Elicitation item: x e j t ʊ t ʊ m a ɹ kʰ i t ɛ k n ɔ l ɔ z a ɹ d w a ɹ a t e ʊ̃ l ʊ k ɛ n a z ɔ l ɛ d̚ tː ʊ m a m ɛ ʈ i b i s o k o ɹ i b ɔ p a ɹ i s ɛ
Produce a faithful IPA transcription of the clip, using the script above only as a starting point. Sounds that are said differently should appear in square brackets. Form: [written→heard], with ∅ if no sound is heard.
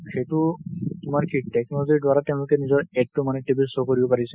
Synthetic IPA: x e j t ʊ t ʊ m a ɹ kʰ i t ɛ k n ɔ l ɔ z [a→i] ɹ d w a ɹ a t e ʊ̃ l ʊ k ɛ n [a→i] z ɔ [l→ɹ] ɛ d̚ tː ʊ m a [m→n] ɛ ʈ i b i s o k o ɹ i b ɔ p a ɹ i s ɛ